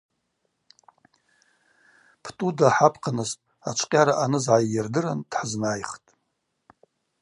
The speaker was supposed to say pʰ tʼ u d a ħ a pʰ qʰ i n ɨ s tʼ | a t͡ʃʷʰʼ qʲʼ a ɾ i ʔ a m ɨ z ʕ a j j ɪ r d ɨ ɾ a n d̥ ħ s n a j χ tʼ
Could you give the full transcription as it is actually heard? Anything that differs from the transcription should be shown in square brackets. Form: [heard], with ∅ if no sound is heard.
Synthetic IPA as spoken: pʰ tʼ u d a ħ a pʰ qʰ [a] n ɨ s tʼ | a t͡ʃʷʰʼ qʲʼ a ɾ [a] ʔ a [n] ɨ z ʕ a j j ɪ r d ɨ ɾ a n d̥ ħ [z] n a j χ tʼ